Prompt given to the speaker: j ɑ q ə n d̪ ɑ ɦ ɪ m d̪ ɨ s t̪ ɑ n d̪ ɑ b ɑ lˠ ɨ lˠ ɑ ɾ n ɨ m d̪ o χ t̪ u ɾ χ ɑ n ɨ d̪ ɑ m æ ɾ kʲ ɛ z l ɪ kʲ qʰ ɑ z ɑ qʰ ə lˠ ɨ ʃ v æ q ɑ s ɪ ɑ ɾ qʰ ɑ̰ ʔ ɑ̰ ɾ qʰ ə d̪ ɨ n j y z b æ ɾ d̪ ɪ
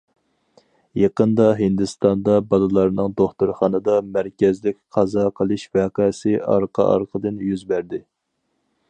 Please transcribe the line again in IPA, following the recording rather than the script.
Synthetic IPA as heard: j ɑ q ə n d̪ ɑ ɦ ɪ n d̪ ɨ s t̪ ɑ n d̪ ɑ b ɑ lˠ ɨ lˠ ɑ ɾ n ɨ ŋ d̪ o χ t̪ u ɾ χ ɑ n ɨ d̪ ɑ m æ ɾ kʲ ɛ z l ɪ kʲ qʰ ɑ z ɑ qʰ ə lˠ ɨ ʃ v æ q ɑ s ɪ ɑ ɾ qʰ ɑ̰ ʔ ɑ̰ ɾ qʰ ə d̪ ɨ n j y z b æ ɾ d̪ ɪ

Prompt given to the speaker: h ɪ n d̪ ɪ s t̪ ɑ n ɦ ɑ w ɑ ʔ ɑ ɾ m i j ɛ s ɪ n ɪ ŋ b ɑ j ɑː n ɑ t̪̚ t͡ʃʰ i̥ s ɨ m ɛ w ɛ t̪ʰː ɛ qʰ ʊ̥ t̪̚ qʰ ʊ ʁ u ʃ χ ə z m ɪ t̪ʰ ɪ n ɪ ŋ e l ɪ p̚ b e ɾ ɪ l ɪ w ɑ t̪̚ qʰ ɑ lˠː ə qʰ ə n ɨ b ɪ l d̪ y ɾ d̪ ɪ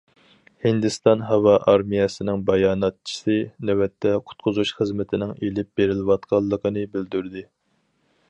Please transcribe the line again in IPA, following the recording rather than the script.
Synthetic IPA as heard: h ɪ n d̪ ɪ s t̪ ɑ n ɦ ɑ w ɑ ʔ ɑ ɾ m i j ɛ s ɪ n ɪ ŋ b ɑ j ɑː n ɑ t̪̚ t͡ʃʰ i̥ s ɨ n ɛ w ɛ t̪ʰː ɛ qʰ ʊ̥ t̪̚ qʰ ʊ z u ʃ χ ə z m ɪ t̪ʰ ɪ n ɪ ŋ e l ɪ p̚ b e ɾ ɪ l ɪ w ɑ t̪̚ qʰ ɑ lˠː ə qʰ ə n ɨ b ɪ l d̪ y ɾ d̪ ɪ

